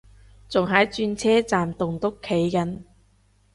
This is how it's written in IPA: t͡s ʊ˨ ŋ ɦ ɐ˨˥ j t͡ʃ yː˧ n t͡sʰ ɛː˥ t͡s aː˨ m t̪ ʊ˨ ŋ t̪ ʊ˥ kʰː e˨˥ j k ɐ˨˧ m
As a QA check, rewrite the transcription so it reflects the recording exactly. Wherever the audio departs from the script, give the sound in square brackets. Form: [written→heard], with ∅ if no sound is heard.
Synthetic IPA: t͡s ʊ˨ ŋ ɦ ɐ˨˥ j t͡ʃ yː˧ n t͡sʰ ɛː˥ t͡s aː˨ m t̪ ʊ˨ ŋ t̪ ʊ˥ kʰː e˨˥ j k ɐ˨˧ [m→n]